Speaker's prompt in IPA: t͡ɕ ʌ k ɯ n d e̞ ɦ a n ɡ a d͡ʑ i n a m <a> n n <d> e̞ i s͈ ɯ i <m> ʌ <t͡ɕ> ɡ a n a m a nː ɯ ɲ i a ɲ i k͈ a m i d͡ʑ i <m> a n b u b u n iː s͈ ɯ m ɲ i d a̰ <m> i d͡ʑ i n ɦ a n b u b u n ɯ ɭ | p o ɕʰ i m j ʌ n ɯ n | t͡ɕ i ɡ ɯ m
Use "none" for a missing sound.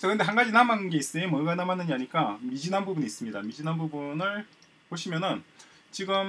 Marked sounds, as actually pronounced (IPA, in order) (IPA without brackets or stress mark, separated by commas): a, ɡ, m, none, n, m